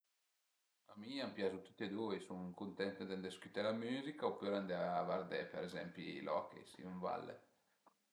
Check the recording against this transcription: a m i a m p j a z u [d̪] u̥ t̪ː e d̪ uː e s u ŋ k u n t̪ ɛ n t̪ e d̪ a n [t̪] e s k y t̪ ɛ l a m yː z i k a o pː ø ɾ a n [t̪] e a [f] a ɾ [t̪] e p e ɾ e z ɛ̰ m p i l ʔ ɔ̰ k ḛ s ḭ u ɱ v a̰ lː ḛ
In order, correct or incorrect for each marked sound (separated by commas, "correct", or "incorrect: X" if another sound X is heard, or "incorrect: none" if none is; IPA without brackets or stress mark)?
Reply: incorrect: t̪, incorrect: d̪, incorrect: d̪, incorrect: v, incorrect: d̪